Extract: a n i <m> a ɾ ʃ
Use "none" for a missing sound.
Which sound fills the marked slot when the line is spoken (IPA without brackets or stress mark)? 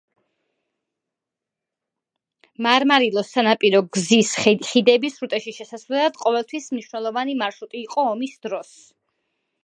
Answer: m